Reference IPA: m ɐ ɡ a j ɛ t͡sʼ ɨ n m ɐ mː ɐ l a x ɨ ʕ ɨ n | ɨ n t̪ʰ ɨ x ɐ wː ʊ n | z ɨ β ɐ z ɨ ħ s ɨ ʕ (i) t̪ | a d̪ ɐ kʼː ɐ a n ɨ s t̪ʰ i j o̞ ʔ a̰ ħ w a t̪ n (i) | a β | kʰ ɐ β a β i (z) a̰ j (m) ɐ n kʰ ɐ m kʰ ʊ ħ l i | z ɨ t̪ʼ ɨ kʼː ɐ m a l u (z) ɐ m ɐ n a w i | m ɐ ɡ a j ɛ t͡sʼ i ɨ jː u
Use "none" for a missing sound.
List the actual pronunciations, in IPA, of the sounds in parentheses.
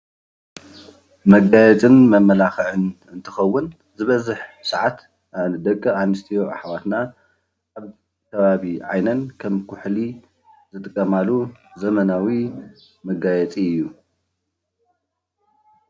a, a, ʕ, n, z

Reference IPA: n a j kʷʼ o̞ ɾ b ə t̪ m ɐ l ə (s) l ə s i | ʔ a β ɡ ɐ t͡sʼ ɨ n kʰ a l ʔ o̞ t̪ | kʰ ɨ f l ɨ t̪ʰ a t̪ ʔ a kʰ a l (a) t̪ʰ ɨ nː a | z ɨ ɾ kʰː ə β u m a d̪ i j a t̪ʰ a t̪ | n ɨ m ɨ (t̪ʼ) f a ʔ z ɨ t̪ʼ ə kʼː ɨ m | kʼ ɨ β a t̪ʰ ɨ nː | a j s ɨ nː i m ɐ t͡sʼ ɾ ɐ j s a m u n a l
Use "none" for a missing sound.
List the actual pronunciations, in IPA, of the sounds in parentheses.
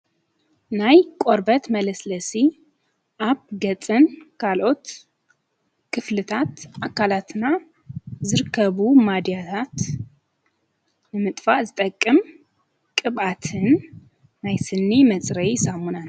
s, a, t̪ʼ

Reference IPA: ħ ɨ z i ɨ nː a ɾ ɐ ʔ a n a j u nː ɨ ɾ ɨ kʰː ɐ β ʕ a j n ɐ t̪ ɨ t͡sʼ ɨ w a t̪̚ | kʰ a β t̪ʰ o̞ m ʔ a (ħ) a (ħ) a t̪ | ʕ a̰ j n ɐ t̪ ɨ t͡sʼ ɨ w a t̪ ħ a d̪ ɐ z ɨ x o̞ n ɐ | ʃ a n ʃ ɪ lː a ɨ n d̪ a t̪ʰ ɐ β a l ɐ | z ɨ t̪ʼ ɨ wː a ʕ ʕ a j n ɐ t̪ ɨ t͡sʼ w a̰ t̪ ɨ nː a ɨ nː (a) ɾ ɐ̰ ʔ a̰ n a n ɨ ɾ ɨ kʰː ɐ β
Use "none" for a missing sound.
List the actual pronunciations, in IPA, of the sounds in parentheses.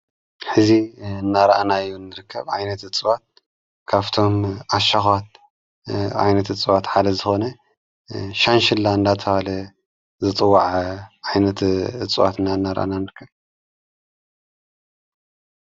ʃ, x, a

